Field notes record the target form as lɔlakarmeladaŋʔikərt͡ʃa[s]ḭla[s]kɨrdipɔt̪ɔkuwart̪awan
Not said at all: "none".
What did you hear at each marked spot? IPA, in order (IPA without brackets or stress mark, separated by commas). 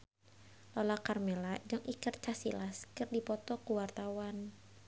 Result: s, s